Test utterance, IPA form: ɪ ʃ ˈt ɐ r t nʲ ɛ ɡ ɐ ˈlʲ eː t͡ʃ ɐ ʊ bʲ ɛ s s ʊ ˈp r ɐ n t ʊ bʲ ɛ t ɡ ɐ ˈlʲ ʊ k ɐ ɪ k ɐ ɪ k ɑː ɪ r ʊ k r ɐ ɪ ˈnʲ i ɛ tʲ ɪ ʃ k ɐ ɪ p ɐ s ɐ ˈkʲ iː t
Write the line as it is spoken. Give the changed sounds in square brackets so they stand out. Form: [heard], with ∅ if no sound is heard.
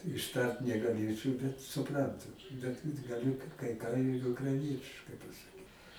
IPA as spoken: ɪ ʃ ˈt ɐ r t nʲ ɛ ɡ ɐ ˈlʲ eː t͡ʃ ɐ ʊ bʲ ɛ [t] s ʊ ˈp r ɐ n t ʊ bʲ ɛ t ɡ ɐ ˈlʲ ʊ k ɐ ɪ k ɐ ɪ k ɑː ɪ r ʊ k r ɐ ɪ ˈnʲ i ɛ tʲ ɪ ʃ k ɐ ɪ p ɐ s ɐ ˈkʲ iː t